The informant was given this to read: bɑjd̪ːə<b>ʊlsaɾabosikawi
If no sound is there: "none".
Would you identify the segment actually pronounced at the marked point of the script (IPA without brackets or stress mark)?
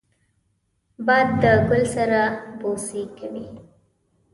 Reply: ɡ